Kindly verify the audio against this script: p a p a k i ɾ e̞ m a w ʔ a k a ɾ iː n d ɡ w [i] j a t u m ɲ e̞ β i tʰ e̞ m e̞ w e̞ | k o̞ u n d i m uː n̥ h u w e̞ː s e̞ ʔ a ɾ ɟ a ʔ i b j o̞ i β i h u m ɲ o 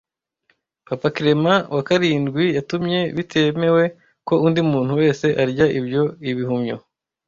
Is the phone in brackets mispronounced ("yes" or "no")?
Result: no